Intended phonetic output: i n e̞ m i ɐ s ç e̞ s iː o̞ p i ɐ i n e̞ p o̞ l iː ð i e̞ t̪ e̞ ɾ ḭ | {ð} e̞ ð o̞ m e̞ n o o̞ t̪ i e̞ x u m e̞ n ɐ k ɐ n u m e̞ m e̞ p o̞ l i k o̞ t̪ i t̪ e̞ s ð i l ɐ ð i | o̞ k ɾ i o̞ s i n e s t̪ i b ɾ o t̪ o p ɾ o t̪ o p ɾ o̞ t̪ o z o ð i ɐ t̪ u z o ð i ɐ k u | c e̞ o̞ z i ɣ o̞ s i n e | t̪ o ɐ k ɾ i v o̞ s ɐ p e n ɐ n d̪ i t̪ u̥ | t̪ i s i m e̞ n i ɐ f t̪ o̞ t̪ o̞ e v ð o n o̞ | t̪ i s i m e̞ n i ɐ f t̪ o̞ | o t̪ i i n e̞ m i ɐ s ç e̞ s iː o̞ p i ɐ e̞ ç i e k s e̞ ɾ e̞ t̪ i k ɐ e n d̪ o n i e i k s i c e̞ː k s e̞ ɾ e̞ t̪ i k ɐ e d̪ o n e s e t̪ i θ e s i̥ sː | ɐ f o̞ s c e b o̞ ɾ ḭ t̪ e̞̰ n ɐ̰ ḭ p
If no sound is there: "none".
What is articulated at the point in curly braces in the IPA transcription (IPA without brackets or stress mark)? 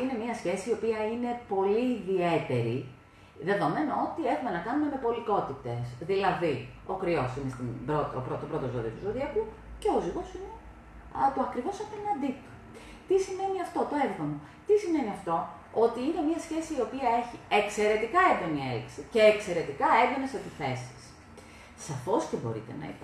ð